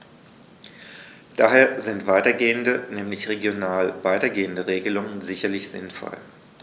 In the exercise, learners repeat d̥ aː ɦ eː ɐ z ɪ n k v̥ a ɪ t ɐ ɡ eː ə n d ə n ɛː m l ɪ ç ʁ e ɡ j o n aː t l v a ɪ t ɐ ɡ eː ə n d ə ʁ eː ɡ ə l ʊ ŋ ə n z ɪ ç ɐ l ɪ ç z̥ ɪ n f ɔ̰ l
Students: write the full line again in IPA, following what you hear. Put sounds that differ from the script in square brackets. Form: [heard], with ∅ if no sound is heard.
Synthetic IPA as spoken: d̥ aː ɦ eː ɐ z ɪ n [t] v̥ a ɪ t ɐ ɡ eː ə n d ə n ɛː m l ɪ ç ʁ e ɡ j o n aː [∅] l v a ɪ t ɐ ɡ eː ə n d ə ʁ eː ɡ ə l ʊ ŋ ə n z ɪ ç ɐ l ɪ ç z̥ ɪ n f ɔ̰ l

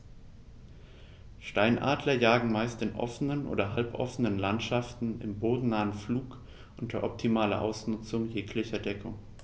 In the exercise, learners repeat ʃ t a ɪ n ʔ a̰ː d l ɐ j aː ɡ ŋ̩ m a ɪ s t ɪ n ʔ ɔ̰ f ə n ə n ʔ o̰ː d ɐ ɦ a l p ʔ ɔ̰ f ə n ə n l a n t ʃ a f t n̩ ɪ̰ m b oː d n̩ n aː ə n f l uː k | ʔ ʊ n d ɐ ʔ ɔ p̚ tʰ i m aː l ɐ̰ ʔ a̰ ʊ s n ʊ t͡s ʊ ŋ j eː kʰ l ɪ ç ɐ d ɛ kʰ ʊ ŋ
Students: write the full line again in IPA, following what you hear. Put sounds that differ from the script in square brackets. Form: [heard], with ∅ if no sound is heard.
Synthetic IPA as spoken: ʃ t a ɪ n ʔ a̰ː d l ɐ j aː ɡ ŋ̩ m a ɪ s t ɪ n ʔ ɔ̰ f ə n ə n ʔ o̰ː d ɐ ɦ a l p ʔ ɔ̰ f ə n ə n l a n t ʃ a f t n̩ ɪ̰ m b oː d n̩ n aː ə n f l uː k | ʔ ʊ n [t] ɐ ʔ ɔ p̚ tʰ i m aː l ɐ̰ ʔ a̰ ʊ s n ʊ t͡s ʊ ŋ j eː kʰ l ɪ ç ɐ d ɛ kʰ ʊ ŋ

